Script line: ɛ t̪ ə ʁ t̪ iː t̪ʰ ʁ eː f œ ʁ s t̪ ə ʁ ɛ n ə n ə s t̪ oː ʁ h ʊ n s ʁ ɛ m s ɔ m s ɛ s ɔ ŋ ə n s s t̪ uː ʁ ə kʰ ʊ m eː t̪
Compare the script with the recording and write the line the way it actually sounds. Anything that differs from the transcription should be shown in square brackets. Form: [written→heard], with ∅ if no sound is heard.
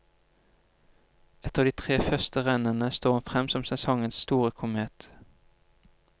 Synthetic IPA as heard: ɛ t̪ ə ʁ [t̪→d̪] iː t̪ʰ ʁ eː f œ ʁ s t̪ ə ʁ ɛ n ə n ə s t̪ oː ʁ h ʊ n [s→f] ʁ ɛ m s ɔ m s ɛ s ɔ ŋ ə n s s t̪ uː ʁ ə kʰ ʊ m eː t̪